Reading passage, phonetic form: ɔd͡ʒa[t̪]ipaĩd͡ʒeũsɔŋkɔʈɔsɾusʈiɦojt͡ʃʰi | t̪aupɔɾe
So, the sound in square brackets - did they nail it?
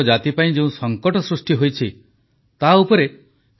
yes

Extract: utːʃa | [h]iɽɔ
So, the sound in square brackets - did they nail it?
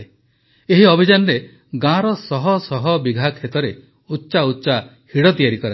yes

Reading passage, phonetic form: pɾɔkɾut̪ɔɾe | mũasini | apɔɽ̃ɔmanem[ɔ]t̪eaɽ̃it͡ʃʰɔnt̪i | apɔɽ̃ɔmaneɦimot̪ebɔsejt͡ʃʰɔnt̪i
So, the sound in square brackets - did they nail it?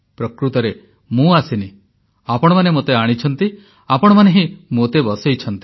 no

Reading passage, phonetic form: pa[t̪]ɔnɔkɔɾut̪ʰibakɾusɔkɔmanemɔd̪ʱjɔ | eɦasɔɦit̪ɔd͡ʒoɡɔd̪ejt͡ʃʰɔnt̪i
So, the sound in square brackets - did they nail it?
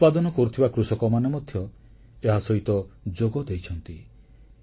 no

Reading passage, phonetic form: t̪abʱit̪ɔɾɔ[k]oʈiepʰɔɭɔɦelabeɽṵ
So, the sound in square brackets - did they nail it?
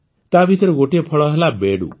no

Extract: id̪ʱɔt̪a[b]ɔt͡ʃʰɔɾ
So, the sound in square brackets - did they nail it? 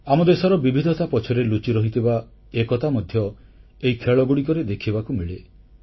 no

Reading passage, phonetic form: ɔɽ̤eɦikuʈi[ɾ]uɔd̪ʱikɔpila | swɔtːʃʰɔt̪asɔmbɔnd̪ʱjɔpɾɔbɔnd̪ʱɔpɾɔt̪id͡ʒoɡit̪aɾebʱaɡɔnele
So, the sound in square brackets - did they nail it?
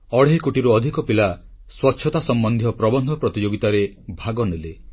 yes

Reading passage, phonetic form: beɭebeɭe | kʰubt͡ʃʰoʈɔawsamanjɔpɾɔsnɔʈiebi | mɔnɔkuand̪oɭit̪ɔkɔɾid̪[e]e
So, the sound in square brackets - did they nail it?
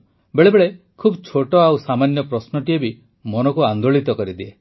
no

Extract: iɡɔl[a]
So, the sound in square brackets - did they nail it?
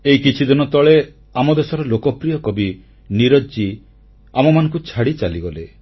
no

